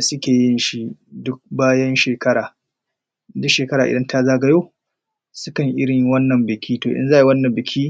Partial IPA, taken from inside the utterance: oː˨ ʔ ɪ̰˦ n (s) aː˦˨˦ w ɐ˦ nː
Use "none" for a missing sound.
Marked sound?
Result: z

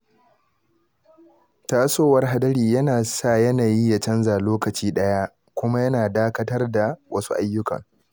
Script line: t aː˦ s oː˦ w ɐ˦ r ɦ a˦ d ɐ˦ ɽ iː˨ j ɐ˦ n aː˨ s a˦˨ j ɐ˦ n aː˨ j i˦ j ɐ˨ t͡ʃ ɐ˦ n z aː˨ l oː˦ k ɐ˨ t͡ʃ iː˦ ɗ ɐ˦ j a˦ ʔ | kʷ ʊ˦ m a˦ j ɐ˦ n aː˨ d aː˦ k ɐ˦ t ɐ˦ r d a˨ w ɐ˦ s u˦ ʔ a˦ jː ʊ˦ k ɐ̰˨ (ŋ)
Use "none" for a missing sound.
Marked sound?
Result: ŋ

